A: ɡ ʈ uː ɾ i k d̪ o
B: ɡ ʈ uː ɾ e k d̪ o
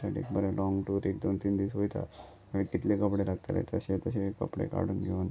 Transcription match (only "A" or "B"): B